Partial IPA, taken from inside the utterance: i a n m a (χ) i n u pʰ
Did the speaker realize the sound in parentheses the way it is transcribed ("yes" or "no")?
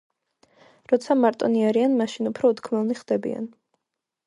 no